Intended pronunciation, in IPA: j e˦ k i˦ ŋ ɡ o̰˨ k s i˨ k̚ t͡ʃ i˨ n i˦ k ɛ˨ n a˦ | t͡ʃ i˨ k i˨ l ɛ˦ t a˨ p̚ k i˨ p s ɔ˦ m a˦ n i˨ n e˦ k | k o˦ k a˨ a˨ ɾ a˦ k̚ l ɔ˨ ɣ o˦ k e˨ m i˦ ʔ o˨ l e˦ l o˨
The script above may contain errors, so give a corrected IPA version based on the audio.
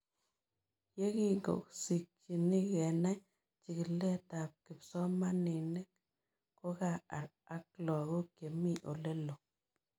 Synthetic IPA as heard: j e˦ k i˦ ŋ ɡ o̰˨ k s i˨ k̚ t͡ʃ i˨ n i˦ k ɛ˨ n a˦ | t͡ʃ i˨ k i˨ l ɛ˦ t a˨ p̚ k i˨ p s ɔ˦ m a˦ n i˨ n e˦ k | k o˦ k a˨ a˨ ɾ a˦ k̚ l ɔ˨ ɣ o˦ k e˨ m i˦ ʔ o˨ l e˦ l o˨

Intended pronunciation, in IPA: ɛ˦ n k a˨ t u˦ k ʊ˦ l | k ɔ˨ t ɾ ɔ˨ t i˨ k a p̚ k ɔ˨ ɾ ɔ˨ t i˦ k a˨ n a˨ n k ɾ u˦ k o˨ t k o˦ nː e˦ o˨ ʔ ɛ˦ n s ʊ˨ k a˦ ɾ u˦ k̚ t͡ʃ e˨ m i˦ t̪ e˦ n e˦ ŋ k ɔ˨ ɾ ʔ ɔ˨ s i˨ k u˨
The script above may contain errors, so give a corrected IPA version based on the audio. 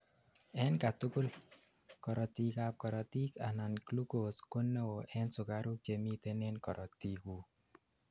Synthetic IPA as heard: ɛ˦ n k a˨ t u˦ k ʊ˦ l | k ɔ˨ ɾ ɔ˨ t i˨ k a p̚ k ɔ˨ ɾ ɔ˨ t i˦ k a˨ n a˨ n k l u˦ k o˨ s k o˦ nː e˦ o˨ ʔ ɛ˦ n s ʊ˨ k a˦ ɾ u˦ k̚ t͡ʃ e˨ m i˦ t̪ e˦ n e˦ n k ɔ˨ ɾ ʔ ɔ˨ t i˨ k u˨

